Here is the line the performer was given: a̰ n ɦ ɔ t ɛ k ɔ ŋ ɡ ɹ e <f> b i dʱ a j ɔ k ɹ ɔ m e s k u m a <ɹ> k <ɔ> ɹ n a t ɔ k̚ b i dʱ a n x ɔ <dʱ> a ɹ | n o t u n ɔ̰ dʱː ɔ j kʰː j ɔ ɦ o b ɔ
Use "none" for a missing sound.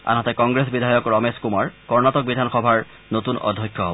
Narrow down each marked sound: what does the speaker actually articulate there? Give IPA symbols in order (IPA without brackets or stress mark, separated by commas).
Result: s, ɹ, ɔ, bʱ